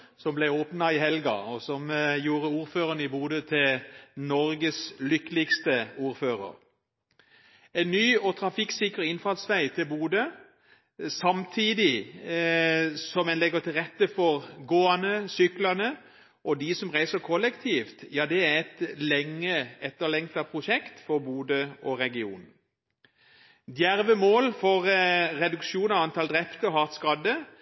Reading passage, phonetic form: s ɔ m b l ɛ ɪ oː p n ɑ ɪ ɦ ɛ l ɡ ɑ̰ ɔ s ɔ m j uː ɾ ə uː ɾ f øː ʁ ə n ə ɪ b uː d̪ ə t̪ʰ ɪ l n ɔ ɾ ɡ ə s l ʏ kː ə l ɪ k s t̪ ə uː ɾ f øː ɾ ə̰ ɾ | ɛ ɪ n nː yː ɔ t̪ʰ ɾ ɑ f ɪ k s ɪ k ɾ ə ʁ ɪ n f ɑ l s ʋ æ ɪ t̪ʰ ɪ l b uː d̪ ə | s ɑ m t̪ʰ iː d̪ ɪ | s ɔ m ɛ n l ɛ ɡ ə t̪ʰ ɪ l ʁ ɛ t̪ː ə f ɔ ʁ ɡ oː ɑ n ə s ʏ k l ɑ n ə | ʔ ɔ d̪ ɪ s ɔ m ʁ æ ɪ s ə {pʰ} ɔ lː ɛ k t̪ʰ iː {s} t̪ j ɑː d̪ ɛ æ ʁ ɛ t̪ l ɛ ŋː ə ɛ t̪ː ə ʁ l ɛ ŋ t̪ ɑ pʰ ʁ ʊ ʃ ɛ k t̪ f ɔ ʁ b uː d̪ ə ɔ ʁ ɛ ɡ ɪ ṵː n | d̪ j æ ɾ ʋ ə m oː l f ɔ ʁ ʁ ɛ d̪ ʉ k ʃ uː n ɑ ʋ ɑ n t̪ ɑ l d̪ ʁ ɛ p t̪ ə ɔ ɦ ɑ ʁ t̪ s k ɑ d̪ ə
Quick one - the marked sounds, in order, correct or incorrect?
incorrect, incorrect

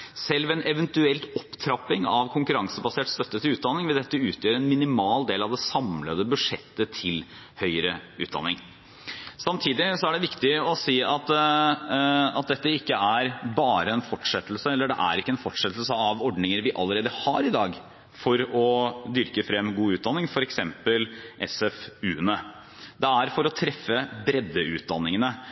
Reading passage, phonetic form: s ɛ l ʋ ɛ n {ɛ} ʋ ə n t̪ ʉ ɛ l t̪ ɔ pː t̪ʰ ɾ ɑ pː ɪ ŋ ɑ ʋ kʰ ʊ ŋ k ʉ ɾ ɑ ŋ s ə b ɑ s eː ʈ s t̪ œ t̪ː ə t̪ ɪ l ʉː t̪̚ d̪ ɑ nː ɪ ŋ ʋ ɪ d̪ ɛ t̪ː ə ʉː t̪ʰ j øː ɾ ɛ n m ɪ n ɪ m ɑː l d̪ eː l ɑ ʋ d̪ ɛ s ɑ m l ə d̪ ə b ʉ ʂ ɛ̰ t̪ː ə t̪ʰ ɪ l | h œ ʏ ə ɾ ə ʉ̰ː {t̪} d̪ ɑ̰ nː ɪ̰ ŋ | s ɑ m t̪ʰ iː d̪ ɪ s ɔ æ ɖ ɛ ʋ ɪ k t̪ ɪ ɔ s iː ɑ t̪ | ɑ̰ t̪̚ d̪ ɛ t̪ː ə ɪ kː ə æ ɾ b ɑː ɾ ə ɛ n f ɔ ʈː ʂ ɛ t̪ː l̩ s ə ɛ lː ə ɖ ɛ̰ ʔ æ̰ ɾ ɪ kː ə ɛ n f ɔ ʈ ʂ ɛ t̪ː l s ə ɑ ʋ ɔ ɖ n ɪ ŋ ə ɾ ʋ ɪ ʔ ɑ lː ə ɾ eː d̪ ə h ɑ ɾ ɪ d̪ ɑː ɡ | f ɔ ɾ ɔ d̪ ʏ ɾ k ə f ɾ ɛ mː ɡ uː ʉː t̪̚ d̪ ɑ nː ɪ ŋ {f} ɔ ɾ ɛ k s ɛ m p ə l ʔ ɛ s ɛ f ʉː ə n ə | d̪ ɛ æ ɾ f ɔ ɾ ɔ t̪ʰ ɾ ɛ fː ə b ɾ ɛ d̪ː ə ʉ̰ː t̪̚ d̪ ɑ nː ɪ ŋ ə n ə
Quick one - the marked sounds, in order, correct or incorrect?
correct, correct, correct

